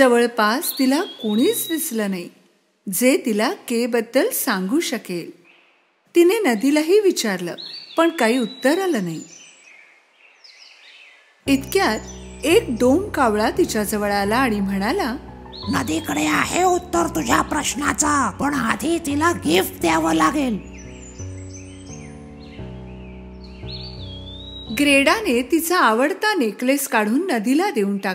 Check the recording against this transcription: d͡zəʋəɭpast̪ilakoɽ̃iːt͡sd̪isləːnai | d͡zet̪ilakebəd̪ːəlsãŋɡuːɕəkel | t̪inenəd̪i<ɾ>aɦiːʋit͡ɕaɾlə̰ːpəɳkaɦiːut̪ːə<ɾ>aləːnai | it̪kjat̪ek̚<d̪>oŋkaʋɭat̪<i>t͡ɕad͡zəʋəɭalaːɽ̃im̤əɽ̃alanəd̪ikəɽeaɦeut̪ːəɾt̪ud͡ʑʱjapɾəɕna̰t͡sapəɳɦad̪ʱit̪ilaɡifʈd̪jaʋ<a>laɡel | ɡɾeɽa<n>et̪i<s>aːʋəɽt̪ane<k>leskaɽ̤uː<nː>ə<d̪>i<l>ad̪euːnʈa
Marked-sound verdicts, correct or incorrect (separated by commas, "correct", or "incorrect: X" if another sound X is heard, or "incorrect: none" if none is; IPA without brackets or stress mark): incorrect: l, correct, correct, correct, incorrect: ə, correct, incorrect: t͡s, correct, correct, correct, correct